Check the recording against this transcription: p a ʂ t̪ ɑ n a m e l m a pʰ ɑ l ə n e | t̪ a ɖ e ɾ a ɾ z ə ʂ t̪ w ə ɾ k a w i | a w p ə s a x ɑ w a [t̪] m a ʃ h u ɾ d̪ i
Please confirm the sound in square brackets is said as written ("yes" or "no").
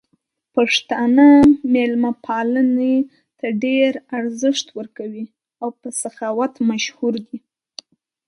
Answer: yes